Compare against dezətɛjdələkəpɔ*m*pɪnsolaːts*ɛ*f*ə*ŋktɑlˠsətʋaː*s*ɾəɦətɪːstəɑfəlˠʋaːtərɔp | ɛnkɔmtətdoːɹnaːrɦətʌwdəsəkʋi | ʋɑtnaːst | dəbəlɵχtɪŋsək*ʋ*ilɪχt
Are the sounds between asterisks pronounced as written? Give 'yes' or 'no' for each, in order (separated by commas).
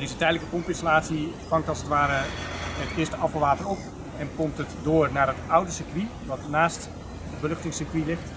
yes, no, no, no, yes